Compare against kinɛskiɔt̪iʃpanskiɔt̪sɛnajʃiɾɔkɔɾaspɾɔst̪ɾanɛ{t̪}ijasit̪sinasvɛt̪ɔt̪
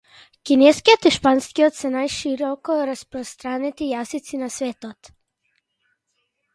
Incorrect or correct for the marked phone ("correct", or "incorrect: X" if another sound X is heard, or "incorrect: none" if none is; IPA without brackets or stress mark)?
correct